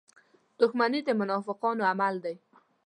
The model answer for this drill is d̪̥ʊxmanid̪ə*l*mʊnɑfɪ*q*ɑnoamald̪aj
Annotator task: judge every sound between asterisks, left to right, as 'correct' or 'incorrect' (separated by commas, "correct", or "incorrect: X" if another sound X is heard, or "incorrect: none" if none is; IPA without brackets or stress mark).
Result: incorrect: none, correct